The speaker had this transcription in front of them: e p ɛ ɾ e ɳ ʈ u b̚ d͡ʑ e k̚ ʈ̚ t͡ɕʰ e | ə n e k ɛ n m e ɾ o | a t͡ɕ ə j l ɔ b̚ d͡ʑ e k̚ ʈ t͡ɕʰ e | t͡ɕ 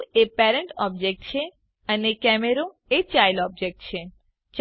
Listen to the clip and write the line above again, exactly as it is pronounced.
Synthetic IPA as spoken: e p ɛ ɾ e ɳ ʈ ɔ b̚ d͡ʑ e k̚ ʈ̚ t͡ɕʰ e | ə n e k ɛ m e ɾ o | e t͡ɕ a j l ɔ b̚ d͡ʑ e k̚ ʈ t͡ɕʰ e | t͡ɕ